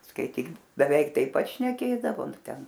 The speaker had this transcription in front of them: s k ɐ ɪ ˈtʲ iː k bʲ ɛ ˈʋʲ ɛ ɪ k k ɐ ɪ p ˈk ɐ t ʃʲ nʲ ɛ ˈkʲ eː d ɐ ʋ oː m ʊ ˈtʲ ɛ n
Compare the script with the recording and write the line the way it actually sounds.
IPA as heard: s k ɐ ɪ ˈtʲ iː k bʲ ɛ ˈʋʲ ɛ ɪ k t ɐ ɪ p ˈp ɐ t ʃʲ nʲ ɛ ˈkʲ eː d ɐ ʋ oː n ʊ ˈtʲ ɛ n